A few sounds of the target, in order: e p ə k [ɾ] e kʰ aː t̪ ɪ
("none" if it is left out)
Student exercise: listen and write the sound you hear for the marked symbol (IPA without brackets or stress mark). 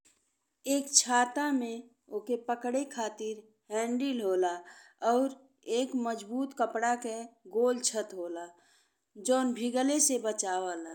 ɽ